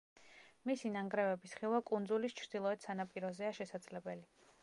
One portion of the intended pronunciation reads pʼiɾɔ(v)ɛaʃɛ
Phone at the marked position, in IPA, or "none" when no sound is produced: z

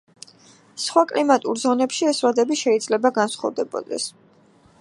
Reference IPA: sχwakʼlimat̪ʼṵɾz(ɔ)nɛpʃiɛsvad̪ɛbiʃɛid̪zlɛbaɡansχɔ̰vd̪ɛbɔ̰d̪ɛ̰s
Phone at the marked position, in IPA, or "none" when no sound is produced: ɔ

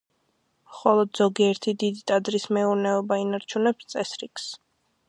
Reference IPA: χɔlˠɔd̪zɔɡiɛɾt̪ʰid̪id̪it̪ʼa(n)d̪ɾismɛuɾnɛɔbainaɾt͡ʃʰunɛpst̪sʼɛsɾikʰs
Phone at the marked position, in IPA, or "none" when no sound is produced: none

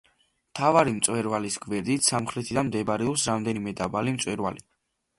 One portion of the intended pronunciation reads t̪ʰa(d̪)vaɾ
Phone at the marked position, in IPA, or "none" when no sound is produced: none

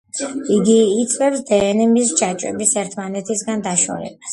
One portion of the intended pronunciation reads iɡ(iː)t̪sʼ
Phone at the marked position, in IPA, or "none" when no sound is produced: iː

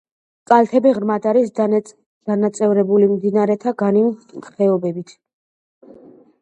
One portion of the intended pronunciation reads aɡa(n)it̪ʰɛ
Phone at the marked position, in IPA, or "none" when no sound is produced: n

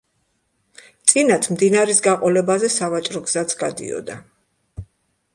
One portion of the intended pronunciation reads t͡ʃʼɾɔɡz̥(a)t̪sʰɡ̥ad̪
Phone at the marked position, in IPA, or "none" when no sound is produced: a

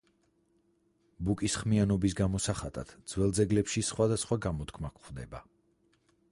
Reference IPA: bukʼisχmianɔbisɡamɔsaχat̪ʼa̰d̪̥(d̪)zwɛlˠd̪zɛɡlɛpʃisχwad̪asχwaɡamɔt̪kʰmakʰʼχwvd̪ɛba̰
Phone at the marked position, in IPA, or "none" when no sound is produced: d̪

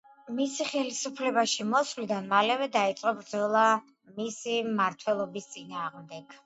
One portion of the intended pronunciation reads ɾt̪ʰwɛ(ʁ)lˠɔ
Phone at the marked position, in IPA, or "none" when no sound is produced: none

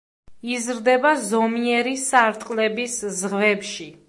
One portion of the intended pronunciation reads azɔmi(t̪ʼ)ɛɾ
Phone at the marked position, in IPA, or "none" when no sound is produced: none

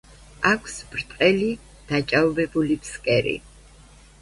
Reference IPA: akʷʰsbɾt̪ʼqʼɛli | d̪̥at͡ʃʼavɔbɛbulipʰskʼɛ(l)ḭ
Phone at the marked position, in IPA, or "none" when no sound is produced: ɾ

